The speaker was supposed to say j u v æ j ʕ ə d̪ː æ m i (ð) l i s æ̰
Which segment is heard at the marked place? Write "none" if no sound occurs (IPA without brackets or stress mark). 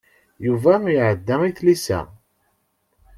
θ